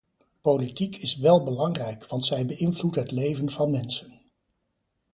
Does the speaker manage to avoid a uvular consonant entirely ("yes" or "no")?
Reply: yes